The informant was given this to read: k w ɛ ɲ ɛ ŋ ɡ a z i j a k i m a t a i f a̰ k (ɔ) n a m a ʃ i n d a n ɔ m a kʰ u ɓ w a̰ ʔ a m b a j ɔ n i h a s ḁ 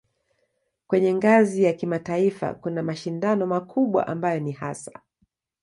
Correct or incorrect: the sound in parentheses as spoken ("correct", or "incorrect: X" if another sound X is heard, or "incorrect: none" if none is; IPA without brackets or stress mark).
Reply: incorrect: u